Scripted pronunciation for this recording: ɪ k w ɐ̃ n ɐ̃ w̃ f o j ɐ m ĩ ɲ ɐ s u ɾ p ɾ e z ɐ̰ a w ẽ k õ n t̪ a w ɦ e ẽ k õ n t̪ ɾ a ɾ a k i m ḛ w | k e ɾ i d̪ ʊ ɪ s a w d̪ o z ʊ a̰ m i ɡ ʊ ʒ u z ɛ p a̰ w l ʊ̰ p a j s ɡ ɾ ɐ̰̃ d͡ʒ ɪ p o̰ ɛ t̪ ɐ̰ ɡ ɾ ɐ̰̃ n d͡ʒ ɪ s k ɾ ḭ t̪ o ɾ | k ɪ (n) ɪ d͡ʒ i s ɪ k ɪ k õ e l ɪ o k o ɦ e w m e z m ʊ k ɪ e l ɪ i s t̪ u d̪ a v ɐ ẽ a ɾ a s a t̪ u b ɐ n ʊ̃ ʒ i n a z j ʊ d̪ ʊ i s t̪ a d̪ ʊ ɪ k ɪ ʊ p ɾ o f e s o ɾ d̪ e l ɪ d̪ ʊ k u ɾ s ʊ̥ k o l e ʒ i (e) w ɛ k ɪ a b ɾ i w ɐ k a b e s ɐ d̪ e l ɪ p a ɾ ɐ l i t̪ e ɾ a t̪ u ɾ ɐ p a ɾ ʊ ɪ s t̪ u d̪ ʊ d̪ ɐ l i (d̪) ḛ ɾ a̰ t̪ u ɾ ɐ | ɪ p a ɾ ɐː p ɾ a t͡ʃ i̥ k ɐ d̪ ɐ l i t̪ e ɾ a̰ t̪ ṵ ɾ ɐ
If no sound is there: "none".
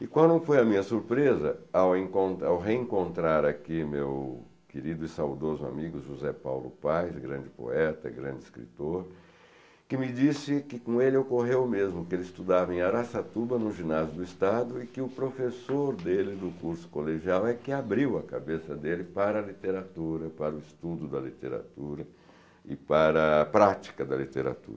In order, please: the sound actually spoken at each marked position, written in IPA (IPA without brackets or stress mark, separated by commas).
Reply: m, a, t̪